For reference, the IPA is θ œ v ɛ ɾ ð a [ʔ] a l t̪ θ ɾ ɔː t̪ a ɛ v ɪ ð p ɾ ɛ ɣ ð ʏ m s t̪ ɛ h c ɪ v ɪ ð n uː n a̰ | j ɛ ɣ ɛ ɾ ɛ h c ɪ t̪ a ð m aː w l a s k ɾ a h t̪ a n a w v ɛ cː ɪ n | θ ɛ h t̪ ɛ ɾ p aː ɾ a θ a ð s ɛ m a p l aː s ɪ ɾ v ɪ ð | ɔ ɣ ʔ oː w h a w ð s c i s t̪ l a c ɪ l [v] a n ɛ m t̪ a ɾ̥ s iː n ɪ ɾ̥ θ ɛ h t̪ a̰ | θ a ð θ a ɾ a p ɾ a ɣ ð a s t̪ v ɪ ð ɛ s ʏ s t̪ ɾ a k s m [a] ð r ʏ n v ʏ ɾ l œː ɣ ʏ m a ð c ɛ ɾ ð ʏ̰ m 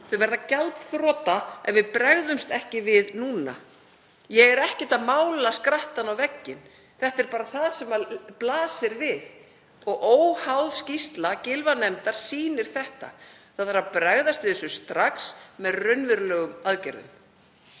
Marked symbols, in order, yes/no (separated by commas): no, yes, no